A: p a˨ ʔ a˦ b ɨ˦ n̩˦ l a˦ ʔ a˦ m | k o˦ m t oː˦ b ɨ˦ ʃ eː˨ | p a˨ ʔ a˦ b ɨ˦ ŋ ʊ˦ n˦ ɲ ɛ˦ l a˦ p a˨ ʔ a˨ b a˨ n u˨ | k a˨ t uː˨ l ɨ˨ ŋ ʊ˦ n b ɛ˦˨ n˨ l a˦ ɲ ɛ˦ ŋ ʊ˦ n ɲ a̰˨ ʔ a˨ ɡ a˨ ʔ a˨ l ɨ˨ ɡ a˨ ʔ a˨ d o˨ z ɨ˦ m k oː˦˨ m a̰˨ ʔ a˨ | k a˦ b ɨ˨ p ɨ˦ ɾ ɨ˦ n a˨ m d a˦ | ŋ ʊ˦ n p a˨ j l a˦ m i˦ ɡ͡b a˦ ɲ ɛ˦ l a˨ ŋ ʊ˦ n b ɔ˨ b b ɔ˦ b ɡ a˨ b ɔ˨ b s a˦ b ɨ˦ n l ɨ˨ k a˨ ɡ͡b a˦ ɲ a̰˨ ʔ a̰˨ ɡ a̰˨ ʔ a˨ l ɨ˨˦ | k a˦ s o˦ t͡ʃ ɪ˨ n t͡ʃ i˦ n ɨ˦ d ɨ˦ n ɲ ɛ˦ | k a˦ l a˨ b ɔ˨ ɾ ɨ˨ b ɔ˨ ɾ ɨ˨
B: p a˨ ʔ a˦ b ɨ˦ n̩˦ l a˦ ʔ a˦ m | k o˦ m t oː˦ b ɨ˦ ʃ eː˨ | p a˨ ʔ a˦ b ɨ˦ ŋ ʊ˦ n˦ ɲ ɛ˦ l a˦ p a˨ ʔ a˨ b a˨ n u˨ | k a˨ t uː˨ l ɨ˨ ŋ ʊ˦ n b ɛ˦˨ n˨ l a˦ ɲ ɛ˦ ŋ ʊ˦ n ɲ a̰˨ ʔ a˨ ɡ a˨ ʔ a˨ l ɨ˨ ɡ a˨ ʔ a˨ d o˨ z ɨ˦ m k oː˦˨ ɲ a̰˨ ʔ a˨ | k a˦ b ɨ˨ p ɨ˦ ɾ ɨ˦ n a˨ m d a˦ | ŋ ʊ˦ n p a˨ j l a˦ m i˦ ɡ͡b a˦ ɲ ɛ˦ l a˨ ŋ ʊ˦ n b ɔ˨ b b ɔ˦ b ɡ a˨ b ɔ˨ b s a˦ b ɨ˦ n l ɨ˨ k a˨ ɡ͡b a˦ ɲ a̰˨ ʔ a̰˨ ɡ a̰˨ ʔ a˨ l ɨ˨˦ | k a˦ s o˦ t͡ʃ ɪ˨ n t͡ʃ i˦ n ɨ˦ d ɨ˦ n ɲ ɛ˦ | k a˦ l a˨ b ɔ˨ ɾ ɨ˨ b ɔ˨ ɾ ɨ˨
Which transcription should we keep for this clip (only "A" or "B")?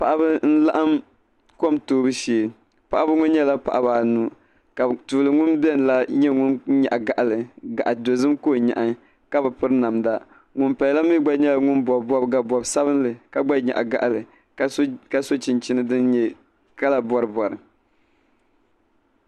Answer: B